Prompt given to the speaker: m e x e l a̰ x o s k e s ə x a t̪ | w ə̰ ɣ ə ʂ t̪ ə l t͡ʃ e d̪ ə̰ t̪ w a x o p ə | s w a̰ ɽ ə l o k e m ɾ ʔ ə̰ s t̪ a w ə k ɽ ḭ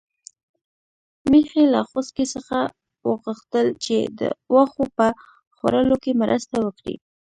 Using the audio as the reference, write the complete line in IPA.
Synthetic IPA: m e x e l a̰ x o s k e s ə x a | w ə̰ ɣ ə x t̪ ə l t͡ʃ e d̪ ə̰ w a x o p ə | x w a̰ ɾ ə l o k e m ɾ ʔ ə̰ s t̪ a w ə k ɽ ḭ